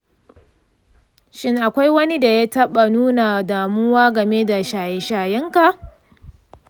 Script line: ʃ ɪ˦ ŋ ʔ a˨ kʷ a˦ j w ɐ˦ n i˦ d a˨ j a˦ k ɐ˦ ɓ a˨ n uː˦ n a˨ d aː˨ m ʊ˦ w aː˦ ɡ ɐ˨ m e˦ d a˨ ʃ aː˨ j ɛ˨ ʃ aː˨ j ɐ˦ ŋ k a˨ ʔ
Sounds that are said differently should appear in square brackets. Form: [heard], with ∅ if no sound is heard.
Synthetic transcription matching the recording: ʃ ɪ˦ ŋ ʔ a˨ kʷ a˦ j w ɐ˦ n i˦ d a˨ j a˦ [t] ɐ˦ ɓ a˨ n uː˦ n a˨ d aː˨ m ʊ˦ w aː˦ ɡ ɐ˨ m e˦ d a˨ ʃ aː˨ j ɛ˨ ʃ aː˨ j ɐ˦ ŋ k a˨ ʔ